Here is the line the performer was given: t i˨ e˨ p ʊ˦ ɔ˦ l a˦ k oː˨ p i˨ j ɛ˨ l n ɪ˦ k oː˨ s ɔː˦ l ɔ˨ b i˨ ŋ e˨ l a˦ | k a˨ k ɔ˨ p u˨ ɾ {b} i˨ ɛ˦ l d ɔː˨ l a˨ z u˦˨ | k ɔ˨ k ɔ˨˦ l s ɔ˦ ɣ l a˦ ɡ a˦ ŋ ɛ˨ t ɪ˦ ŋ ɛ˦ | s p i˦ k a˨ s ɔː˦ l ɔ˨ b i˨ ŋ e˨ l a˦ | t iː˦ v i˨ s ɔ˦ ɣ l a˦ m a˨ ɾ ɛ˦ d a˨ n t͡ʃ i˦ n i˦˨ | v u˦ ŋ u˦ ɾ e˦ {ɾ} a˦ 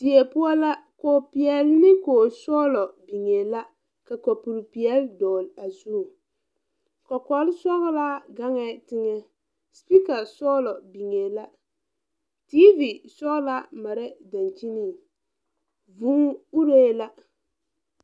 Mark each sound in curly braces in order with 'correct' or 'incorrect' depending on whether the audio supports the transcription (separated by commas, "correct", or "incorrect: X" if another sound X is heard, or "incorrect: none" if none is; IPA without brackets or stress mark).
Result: incorrect: p, incorrect: l